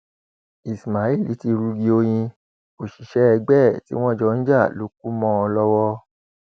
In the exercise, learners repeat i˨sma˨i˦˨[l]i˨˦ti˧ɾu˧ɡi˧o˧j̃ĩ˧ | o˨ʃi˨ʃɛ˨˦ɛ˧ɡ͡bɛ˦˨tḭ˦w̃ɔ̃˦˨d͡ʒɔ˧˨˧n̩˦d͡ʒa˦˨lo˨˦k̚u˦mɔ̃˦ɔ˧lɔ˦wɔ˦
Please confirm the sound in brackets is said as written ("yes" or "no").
yes